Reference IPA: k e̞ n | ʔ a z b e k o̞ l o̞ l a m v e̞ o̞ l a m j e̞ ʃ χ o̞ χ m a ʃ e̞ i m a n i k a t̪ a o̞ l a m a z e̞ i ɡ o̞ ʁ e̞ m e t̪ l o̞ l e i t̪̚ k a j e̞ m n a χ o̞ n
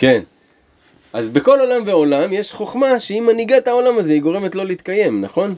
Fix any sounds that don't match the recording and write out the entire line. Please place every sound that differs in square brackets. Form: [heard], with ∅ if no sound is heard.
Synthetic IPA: k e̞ n | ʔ a z b e k o̞ l o̞ l a m v e̞ o̞ l a m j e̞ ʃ χ o̞ χ m a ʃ e̞ i m a n i [ɡ] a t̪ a o̞ l a m a z e̞ i ɡ o̞ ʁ e̞ m e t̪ l o̞ l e i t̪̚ k a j e̞ m n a χ o̞ n